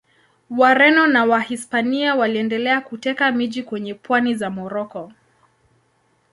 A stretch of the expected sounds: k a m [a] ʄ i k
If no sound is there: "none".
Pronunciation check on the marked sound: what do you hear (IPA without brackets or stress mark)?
i